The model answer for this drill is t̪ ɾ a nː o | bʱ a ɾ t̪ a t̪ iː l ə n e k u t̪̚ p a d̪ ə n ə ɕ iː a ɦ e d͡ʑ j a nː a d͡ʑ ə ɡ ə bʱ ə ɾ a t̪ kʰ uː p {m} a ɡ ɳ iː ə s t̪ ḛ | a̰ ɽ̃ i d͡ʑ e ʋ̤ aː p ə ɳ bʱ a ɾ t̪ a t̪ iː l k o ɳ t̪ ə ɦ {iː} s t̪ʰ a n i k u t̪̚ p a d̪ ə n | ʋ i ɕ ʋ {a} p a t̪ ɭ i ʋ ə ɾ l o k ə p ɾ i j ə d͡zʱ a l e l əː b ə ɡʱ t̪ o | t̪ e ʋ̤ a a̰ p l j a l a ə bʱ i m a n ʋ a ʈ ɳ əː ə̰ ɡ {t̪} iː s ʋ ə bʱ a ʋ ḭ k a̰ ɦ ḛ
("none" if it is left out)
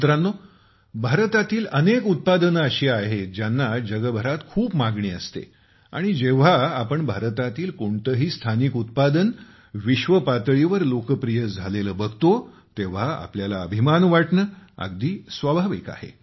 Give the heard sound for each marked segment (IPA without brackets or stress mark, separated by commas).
m, iː, ə, d̪